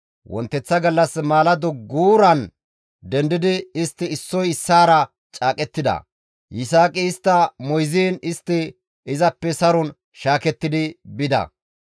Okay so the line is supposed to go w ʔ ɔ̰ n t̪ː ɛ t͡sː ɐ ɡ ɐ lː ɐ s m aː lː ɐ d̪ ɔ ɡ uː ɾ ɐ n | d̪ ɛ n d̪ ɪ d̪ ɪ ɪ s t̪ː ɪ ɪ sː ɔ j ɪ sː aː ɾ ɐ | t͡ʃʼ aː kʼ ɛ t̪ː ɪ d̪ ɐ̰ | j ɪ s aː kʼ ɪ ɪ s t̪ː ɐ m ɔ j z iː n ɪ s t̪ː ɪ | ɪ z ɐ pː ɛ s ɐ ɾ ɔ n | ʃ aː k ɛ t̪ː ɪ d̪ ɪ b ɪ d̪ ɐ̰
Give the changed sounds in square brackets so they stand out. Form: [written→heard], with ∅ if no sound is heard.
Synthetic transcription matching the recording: w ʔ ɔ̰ n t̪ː ɛ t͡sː ɐ ɡ ɐ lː ɐ s m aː [lː→l] ɐ d̪ ɔ ɡ uː ɾ ɐ n | d̪ ɛ n d̪ ɪ d̪ ɪ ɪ s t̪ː ɪ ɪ sː ɔ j ɪ sː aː ɾ ɐ | t͡ʃʼ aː kʼ ɛ t̪ː ɪ d̪ ɐ̰ | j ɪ s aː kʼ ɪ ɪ s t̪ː ɐ m ɔ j z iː n ɪ s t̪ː ɪ | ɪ z ɐ pː ɛ s ɐ ɾ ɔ n | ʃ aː k ɛ t̪ː ɪ d̪ ɪ b ɪ d̪ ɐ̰